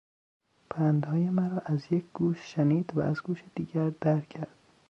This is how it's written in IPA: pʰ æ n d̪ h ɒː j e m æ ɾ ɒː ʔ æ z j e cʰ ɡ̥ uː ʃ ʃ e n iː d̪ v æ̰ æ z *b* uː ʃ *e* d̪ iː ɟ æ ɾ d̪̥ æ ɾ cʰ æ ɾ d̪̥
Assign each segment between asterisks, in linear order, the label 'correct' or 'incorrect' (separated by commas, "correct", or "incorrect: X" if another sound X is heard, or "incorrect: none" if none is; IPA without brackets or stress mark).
incorrect: ɡ, correct